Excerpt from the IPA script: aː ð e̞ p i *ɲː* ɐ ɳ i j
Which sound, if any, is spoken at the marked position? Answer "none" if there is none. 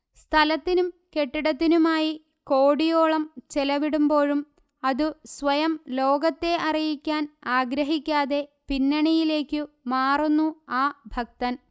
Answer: nː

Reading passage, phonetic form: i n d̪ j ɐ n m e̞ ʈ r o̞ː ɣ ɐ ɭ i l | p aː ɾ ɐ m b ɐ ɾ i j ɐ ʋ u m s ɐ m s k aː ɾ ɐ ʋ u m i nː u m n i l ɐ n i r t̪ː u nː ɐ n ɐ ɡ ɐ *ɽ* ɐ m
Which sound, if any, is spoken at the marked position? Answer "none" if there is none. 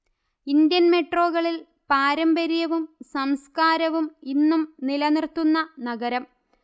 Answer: ɾ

